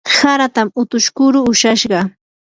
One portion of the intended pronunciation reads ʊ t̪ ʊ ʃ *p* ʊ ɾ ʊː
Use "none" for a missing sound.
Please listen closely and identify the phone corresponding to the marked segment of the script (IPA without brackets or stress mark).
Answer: k